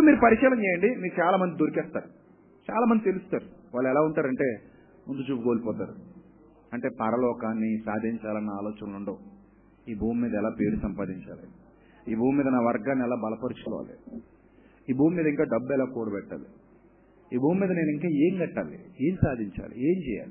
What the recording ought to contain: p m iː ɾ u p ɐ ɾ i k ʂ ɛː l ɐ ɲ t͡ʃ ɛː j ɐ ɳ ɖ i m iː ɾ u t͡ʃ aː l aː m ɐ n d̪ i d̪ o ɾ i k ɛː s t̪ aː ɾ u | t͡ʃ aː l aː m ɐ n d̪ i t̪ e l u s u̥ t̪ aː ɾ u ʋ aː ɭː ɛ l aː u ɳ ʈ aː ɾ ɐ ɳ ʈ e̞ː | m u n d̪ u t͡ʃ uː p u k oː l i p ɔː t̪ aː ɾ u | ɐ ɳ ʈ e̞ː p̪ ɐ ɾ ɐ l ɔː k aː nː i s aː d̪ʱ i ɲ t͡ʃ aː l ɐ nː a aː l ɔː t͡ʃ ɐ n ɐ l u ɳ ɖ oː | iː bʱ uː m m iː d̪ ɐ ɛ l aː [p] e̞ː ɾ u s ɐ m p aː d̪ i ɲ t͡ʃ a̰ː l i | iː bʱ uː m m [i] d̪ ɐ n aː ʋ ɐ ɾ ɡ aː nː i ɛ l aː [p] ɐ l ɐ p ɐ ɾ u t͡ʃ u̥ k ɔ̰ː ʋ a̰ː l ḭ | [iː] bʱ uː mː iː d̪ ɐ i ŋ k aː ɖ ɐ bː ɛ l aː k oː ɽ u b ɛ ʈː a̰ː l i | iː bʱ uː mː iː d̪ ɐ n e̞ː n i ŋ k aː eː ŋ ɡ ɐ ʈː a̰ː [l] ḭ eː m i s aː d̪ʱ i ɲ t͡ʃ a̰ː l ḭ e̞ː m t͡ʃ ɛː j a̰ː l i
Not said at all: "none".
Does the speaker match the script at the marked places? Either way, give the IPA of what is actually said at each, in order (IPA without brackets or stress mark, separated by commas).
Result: p, iː, b, iː, l